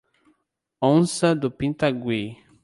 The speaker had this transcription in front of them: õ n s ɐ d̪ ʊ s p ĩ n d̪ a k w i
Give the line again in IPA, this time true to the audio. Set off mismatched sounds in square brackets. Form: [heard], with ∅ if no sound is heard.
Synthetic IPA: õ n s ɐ d̪ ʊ [∅] p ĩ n [t̪] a [ɡ] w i